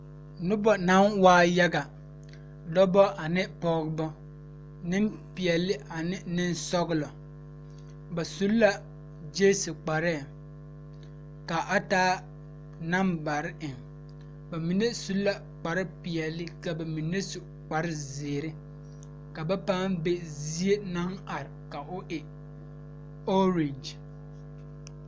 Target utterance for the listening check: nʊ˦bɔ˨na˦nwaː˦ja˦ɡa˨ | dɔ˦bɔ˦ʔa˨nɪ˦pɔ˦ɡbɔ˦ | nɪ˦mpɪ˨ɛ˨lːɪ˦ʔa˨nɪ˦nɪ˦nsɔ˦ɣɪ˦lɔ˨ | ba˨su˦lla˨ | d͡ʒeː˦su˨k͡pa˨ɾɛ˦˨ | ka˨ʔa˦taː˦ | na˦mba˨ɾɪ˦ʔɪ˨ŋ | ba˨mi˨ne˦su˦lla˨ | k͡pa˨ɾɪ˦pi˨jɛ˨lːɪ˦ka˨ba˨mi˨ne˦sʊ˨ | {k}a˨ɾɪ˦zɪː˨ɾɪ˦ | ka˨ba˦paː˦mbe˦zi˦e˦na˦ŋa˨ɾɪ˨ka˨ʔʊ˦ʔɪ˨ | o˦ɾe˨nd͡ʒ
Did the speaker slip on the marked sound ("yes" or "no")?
yes